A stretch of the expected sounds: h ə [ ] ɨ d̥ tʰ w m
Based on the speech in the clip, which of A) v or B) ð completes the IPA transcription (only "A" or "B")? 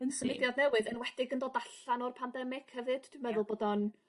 A